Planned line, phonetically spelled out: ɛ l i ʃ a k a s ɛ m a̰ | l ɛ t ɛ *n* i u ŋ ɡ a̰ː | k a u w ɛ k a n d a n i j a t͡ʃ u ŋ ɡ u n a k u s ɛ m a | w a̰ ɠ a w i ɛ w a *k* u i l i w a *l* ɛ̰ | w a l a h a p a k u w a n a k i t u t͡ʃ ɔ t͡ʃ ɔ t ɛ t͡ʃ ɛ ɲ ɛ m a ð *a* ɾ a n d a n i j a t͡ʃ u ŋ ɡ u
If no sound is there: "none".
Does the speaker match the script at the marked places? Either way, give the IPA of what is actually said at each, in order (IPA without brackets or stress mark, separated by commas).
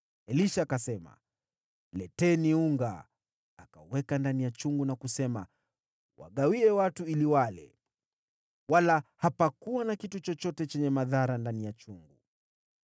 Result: n, t, l, a